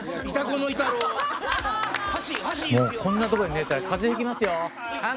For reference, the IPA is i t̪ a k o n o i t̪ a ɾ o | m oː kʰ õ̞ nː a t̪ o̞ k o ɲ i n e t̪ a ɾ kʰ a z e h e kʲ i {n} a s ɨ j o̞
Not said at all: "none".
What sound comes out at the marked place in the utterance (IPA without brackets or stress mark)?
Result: m